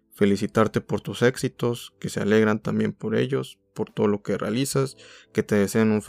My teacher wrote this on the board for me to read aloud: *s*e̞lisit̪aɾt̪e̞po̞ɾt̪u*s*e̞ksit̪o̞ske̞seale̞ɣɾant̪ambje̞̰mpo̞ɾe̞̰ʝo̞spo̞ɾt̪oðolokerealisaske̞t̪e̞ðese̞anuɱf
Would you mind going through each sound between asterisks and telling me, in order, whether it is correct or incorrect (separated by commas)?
incorrect, correct